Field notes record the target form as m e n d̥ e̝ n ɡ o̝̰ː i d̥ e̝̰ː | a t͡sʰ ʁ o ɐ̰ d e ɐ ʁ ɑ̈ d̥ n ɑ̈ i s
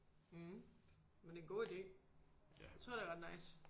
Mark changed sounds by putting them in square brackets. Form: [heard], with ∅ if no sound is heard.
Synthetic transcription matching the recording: m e n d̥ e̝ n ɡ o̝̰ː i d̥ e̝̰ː | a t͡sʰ ʁ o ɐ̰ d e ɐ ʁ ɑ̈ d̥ n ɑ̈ [ɪ] s